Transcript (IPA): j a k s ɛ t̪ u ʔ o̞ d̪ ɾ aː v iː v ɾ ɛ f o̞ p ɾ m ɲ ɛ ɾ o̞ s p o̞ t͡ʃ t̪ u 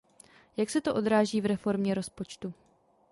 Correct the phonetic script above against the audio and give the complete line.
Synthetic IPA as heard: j a k s ɛ t̪ o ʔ o̞ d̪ ɾ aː ʒ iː v ɾ ɛ f o̞ ɾ m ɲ ɛ ɾ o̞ s p o̞ t͡ʃ t̪ u